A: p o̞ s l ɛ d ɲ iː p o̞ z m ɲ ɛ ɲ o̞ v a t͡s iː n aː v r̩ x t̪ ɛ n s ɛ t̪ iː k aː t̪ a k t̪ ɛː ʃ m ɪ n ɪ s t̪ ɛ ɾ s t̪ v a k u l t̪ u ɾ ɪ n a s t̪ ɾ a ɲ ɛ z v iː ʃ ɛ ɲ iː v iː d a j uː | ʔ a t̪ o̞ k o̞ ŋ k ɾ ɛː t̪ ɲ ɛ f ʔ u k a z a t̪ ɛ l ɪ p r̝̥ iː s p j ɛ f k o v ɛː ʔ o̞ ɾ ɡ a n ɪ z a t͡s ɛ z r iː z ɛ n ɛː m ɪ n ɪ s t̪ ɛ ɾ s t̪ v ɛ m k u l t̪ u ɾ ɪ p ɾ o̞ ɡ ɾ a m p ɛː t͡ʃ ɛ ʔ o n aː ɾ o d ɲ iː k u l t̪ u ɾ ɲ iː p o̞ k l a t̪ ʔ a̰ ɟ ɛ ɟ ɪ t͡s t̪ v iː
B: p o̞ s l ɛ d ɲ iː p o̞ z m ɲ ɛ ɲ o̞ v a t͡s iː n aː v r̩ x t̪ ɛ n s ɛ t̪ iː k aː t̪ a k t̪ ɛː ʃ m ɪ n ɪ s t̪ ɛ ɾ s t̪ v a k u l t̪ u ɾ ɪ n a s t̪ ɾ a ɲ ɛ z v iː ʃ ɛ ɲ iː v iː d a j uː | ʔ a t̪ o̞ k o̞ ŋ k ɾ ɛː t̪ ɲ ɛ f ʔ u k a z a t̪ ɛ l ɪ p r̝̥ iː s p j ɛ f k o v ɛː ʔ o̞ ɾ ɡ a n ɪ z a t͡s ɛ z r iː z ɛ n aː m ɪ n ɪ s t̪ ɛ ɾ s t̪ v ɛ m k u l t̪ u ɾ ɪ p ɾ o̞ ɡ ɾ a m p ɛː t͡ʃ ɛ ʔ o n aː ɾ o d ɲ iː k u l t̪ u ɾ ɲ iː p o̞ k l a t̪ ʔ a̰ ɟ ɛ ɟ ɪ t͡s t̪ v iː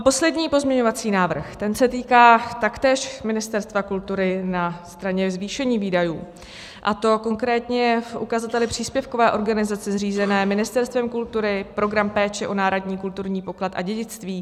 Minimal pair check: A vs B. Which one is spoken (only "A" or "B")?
A